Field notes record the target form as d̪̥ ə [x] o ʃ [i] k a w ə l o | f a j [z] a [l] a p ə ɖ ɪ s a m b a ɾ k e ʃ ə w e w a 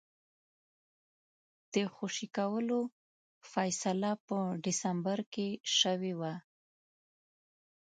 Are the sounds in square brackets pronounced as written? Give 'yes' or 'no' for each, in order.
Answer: yes, yes, no, yes

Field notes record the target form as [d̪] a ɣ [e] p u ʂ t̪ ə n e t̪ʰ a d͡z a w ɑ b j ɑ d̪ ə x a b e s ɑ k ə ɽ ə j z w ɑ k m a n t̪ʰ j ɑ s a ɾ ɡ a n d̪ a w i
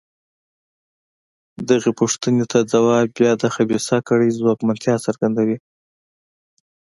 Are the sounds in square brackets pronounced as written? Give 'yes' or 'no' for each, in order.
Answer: yes, yes

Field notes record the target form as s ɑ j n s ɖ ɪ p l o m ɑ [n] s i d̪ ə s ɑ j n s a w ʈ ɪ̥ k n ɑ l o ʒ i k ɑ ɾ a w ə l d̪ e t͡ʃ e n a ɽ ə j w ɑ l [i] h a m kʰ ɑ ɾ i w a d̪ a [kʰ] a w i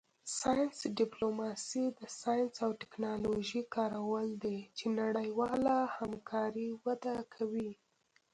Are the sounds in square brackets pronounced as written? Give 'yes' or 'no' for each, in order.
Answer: no, no, yes

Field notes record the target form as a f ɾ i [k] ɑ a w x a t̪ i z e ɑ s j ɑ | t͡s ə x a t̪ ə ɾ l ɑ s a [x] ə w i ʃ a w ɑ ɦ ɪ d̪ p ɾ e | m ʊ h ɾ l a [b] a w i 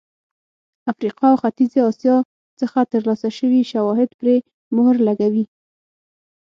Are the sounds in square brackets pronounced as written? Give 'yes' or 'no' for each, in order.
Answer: no, no, no

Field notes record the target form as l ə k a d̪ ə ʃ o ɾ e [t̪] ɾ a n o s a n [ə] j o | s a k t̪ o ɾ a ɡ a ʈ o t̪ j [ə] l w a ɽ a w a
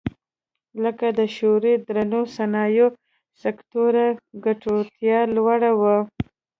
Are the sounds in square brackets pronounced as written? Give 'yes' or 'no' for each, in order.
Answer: no, no, no

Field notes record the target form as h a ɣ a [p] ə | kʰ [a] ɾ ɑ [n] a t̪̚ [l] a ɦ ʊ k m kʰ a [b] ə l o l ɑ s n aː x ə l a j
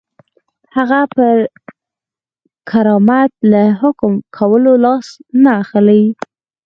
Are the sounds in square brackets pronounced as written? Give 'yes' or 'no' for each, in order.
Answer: yes, yes, no, yes, no

